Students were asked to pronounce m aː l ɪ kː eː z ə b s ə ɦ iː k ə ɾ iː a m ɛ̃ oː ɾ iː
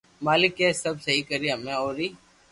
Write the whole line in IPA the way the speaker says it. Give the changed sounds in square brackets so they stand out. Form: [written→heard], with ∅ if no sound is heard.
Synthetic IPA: m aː l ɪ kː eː [z→s] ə b s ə ɦ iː k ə ɾ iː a m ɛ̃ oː ɾ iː